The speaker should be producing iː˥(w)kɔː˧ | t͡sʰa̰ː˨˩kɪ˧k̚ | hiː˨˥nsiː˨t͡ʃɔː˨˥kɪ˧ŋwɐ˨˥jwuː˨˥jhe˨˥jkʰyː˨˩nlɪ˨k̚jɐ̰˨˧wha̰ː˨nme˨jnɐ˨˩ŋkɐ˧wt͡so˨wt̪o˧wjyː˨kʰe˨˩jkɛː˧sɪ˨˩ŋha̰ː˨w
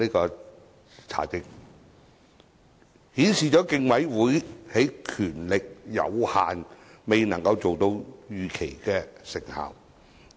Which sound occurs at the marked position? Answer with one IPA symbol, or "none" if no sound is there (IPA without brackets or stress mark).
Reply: none